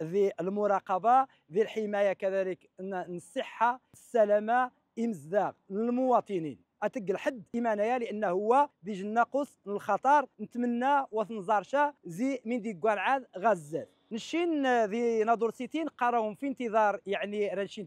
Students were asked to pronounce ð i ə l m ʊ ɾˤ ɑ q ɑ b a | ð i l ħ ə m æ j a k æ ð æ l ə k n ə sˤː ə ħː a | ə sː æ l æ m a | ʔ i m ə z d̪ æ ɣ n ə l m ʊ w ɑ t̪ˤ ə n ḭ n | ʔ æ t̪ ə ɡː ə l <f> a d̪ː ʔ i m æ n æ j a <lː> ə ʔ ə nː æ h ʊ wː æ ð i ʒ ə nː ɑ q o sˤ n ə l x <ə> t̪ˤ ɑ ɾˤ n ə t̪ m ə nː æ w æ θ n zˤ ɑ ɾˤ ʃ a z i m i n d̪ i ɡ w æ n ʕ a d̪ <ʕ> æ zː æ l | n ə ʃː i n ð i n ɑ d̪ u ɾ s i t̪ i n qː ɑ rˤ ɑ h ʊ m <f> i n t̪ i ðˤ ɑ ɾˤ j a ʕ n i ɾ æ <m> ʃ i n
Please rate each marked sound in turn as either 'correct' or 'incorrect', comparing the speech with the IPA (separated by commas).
incorrect, incorrect, incorrect, incorrect, correct, incorrect